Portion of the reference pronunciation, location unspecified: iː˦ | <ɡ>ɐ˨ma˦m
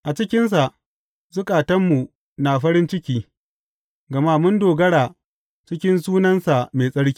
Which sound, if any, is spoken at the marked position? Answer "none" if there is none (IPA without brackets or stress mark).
ɡ